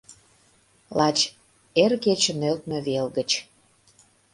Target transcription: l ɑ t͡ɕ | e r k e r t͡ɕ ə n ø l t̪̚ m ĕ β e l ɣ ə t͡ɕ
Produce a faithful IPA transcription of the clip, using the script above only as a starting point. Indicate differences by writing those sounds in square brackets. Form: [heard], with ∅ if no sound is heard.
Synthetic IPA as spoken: l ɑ t͡ɕ | e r k e [∅] t͡ɕ ə n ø l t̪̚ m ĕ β e l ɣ ə t͡ɕ